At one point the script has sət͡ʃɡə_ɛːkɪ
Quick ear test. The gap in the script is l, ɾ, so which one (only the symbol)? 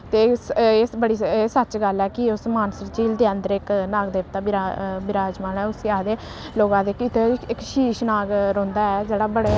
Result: l